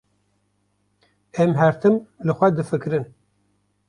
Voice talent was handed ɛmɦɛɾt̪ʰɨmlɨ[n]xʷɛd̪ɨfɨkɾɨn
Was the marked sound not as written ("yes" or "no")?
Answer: yes